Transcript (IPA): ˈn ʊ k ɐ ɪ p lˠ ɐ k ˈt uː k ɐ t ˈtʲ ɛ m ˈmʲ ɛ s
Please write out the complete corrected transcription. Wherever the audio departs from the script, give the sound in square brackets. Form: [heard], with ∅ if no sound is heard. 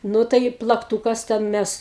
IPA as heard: ˈn ʊ [t] ɐ ɪ p lˠ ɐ k ˈt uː k ɐ [s] ˈtʲ ɛ [n] ˈmʲ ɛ s